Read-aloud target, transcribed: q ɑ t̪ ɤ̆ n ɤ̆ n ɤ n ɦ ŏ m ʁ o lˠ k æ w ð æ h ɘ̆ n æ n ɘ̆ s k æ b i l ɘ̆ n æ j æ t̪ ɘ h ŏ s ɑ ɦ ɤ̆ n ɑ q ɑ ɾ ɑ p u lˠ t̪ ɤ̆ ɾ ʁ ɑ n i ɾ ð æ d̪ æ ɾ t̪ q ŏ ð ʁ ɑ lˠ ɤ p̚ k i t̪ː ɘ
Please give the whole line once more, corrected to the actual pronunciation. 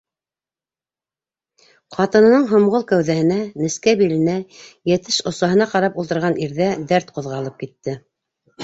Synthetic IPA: q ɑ t̪ ɤ̆ n ɤ̆ n ɤ ɴ ɦ ŏ m ʁ o lˠ k æ w ð æ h ɘ̆ n æ n ɘ̆ s k æ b i l ɘ̆ n æ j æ t̪ ɘ ʃ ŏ s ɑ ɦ ɤ̆ n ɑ q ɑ ɾ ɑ p u lˠ t̪ ɤ̆ ɾ ʁ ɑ n i ɾ ð æ d̪ æ ɾ t̪ q ŏ ð ʁ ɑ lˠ ɤ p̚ k i t̪ː ɘ

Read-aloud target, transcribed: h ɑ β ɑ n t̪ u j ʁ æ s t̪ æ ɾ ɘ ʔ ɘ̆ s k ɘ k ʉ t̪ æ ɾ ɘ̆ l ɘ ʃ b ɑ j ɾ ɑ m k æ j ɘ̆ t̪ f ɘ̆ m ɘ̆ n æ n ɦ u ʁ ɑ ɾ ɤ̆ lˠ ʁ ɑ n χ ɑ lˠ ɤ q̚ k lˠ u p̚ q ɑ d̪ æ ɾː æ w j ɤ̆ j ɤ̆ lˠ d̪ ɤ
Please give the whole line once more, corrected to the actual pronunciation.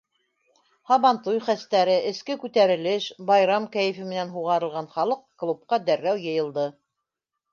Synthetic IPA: h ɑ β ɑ n t̪ u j χ æ s t̪ æ ɾ ɘ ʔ ɘ̆ s k ɘ k ʉ t̪ æ ɾ ɘ̆ l ɘ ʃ b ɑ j ɾ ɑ m k æ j ɘ̆ f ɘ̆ m ɘ̆ n æ n ɦ u ʁ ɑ ɾ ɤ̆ lˠ ʁ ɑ n χ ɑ lˠ ɤ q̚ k lˠ u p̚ q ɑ d̪ æ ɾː æ w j ɤ̆ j ɤ̆ lˠ d̪ ɤ

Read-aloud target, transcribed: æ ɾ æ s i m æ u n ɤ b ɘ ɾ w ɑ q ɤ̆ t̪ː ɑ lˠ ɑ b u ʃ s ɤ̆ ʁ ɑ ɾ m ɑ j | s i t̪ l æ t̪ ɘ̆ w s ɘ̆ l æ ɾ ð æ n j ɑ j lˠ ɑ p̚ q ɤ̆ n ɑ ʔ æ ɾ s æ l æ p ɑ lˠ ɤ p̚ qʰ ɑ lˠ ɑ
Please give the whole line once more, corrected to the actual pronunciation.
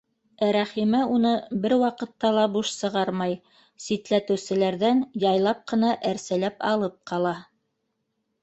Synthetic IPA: æ ɾ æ χ i m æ u n ɤ b ɘ ɾ w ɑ q ɤ̆ t̪ː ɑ lˠ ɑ b u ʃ s ɤ̆ ʁ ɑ ɾ m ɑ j | s i t̪ l æ t̪ ɘ̆ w s ɘ̆ l æ ɾ ð æ n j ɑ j lˠ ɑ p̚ q ɤ̆ n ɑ ʔ æ ɾ s æ l æ p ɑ lˠ ɤ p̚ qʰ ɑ lˠ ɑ

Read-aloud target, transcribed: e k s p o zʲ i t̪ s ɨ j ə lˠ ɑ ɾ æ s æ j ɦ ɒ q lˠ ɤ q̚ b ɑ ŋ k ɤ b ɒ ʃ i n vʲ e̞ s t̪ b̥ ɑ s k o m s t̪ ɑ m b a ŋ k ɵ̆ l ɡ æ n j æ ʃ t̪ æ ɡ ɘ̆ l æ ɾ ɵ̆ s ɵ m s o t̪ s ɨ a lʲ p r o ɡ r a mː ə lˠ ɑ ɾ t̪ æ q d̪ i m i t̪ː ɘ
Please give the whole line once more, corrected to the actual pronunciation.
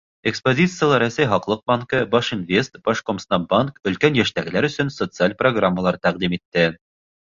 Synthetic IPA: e k s p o zʲ i t̪ s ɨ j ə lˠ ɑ ɾ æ s æ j ɦ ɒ q lˠ ɤ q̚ b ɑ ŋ k ɤ b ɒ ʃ i n vʲ e̞ s t̪ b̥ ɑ ʃ k o m s t̪ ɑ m b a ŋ k ɵ̆ l k æ n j æ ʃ t̪ æ ɡ ɘ̆ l æ ɾ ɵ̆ s ɵ n s o t̪ s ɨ a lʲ p r o ɡ r a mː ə lˠ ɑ ɾ t̪ æ q d̪ i m i t̪ː ɘ

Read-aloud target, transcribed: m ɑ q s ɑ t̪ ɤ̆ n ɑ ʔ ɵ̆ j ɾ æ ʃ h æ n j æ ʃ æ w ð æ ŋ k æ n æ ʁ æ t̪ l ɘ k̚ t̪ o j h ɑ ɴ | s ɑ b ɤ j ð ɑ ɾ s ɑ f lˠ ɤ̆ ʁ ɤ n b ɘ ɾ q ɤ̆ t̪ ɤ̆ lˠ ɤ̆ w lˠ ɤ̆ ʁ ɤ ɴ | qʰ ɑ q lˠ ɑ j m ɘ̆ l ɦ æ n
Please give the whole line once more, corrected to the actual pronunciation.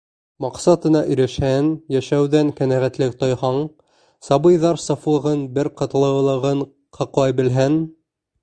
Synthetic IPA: m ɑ q s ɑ t̪ ɤ̆ n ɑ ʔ ɵ̆ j ɾ æ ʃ h æ n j æ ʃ æ w ð æ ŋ k æ n æ ʁ æ t̪ l ɘ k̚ t̪ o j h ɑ ɴ | s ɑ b ɤ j ð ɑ ɾ s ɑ f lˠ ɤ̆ ʁ ɤ n b ɘ ɾ q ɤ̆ t̪ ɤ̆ lˠ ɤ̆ w lˠ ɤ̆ ʁ ɤ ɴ | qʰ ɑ q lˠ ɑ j b ɘ̆ l ɦ æ n

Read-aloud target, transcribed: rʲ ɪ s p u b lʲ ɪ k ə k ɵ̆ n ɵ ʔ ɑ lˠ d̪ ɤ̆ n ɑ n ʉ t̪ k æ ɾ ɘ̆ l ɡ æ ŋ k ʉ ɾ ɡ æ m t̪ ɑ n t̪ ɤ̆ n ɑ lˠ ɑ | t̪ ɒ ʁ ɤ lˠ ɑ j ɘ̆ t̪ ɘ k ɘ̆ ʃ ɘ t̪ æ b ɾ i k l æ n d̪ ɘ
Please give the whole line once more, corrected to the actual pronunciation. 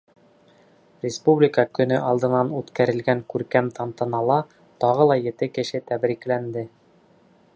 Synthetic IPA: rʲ ɪ s p u b lʲ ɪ k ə k ɵ̆ n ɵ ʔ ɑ lˠ d̪ ɤ̆ n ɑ n ʉ t̪ k æ ɾ ɘ̆ l ɡ æ ŋ k ʉ ɾ k æ m t̪ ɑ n t̪ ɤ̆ n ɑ lˠ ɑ | t̪ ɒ ʁ ɤ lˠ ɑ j ɘ̆ t̪ ɘ k ɘ̆ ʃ ɘ t̪ æ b ɾ i k l æ n d̪ ɘ

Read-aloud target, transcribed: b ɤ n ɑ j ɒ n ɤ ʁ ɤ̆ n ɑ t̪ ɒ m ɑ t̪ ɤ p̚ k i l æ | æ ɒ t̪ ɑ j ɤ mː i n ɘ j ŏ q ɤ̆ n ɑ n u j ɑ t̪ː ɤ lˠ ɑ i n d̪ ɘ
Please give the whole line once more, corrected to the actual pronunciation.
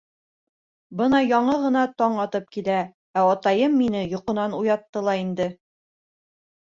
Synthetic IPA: b ɤ n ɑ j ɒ ɴ ɤ ʁ ɤ̆ n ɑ t̪ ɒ ɴ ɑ t̪ ɤ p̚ k i l æ | æ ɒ t̪ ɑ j ɤ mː i n ɘ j ŏ q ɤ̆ n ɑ n u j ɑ t̪ː ɤ lˠ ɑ i n d̪ ɘ

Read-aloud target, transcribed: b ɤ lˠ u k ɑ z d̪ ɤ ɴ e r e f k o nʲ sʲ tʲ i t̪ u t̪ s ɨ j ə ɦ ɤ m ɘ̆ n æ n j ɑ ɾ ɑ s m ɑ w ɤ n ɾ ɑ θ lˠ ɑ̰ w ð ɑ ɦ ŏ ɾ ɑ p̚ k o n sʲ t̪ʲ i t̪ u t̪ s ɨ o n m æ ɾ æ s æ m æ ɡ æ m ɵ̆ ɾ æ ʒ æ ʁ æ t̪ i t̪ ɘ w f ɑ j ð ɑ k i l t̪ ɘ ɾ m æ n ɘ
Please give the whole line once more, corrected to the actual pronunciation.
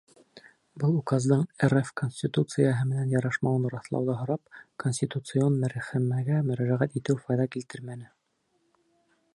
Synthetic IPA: b ɤ lˠ u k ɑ z d̪ ɤ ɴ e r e f k o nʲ sʲ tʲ i t̪ u t̪ s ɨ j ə ɦ ɤ m ɘ̆ n æ n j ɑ ɾ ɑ ʃ m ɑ w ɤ n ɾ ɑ θ lˠ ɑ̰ w ð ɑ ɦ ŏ ɾ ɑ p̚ k o n sʲ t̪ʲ i t̪ u t̪ s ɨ o n m æ ɾ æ χ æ m æ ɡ æ m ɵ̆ ɾ æ ʒ æ ʁ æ t̪ i t̪ ɘ w f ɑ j ð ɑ k i l t̪ ɘ ɾ m æ n ɘ

